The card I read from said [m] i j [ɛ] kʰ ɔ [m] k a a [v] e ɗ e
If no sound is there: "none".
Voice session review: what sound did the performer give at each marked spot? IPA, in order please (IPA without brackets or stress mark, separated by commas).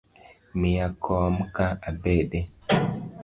m, a, m, b